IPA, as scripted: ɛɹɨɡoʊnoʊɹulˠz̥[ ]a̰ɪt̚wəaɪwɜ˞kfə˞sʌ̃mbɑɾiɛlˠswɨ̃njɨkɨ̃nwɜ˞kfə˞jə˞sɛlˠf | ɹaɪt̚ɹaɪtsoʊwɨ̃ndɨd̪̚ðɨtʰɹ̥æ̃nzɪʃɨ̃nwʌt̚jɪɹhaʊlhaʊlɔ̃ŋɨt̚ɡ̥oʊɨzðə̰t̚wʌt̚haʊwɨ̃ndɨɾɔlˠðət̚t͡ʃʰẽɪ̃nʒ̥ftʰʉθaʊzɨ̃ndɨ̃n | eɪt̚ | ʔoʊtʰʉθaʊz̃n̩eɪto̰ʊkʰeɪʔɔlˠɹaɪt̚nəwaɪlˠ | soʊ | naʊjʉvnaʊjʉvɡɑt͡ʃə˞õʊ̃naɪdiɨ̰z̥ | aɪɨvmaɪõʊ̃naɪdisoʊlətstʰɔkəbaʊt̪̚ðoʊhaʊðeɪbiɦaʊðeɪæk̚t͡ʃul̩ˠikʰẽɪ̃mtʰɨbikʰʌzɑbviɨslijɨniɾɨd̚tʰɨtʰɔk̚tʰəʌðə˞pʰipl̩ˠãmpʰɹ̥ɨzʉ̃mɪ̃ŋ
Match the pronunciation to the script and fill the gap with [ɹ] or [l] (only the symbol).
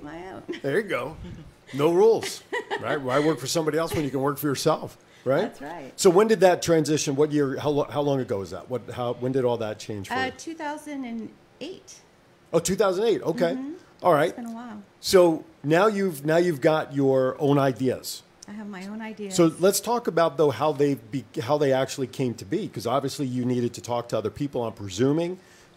ɹ